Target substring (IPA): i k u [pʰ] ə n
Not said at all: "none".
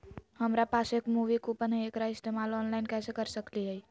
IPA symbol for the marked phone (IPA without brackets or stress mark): p